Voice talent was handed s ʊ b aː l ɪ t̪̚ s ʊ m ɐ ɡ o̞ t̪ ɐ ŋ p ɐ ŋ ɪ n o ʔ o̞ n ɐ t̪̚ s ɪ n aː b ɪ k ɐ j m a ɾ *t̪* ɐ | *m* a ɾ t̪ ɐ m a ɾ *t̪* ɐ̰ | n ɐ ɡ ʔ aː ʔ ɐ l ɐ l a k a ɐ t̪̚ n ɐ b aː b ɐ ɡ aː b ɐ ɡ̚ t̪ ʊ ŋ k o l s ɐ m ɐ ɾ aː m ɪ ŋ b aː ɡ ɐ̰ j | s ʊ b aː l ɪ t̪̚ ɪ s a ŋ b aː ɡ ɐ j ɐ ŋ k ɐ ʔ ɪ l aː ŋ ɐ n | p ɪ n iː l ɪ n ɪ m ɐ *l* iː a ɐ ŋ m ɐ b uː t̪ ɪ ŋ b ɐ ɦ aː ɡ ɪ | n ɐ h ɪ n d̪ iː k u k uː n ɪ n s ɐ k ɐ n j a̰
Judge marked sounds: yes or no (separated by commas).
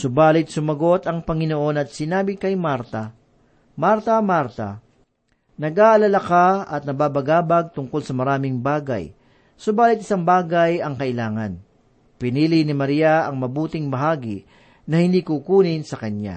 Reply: yes, yes, yes, no